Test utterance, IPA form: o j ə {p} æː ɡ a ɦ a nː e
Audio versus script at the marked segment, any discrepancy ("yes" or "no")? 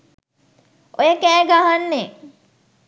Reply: yes